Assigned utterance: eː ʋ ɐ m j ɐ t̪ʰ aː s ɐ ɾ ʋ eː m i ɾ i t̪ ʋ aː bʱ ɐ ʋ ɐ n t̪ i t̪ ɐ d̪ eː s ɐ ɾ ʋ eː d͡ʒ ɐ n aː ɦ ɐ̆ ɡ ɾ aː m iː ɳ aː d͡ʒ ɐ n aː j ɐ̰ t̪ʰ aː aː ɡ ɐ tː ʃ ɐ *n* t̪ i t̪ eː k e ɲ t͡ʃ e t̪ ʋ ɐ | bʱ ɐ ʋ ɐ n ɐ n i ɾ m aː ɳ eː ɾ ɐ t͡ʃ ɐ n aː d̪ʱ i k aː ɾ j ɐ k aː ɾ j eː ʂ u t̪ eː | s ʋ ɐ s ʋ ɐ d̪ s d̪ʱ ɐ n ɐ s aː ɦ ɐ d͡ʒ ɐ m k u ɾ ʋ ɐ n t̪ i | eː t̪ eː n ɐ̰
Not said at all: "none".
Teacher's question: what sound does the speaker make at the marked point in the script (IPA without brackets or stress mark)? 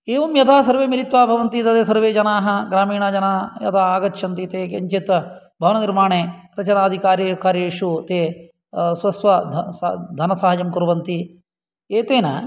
n